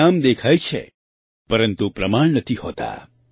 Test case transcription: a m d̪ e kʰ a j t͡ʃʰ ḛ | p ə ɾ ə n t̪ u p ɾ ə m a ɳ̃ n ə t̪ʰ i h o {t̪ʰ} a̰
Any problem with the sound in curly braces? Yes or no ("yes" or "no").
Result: yes